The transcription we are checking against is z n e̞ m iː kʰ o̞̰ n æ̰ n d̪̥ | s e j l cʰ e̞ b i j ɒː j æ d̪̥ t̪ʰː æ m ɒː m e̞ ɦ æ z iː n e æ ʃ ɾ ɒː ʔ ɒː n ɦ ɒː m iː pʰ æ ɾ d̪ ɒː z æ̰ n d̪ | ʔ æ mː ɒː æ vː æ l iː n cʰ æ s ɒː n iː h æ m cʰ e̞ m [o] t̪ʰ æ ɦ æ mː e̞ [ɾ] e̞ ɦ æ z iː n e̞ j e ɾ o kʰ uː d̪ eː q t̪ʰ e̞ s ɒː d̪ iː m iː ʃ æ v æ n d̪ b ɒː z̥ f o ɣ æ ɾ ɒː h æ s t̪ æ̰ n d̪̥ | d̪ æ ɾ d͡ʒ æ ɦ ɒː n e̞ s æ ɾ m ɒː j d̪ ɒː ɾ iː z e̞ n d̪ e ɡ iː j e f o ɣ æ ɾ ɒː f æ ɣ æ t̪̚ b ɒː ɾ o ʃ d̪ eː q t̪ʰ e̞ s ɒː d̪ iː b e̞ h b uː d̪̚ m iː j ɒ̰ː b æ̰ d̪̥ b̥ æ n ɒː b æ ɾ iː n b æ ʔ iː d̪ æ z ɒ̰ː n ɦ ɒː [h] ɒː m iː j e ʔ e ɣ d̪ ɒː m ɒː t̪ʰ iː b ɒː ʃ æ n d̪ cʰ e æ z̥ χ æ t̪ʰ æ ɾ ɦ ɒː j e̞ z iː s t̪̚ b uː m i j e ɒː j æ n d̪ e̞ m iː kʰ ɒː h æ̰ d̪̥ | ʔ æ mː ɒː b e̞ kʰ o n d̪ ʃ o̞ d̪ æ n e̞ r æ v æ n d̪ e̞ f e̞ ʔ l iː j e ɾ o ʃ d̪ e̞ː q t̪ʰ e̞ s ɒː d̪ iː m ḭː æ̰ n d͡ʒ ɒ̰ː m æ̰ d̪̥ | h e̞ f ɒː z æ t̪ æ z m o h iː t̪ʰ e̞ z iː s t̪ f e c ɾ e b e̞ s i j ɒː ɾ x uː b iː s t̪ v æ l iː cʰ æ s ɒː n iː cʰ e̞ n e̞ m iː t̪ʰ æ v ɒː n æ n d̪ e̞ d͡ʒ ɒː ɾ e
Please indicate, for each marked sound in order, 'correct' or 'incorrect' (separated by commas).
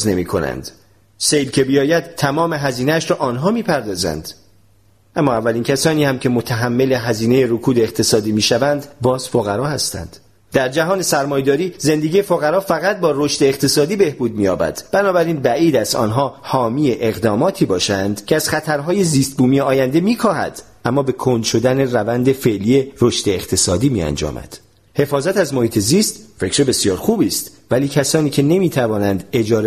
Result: correct, incorrect, correct